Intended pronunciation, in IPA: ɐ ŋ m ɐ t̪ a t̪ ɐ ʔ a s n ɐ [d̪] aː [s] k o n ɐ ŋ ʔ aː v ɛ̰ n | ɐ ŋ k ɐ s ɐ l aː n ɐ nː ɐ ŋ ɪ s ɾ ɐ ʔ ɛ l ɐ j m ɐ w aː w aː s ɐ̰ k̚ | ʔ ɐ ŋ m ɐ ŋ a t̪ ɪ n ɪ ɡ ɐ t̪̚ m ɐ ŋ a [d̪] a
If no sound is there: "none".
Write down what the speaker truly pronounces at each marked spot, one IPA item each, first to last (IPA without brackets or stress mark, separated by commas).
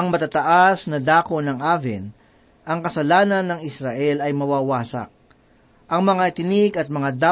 d̪, none, d̪